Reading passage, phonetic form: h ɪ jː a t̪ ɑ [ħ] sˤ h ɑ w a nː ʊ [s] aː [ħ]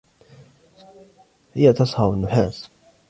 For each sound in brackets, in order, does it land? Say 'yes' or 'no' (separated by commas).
no, no, no